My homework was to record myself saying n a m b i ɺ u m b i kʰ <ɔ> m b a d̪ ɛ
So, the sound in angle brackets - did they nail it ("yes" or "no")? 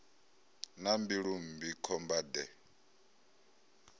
yes